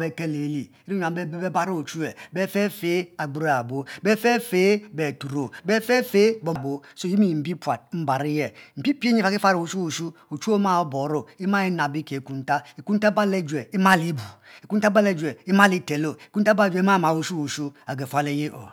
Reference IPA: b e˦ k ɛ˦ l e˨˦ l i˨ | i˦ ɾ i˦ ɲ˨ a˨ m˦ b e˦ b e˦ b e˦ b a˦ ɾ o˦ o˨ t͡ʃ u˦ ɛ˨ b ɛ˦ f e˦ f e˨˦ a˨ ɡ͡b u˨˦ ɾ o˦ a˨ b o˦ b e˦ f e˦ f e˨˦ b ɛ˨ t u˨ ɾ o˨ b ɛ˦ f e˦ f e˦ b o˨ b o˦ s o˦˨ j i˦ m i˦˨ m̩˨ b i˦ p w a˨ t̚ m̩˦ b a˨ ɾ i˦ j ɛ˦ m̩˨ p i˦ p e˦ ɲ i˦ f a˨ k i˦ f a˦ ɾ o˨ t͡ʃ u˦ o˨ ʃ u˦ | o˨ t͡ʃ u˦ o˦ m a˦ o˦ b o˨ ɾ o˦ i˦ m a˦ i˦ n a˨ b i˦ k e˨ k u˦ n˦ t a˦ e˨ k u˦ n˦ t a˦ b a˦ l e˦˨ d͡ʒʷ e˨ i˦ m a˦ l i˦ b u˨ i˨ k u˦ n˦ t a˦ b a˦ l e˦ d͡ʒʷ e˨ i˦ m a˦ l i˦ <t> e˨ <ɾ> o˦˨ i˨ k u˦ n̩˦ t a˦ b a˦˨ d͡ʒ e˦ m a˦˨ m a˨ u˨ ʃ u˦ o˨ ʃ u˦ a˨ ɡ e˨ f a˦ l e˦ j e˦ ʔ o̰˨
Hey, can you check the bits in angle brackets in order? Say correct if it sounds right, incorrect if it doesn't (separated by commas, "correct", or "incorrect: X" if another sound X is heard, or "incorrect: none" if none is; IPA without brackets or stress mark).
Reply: correct, incorrect: l